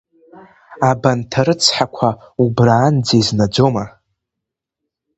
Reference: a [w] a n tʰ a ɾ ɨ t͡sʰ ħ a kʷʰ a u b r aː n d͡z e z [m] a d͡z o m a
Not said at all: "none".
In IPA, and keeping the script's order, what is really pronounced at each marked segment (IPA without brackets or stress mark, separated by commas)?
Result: b, n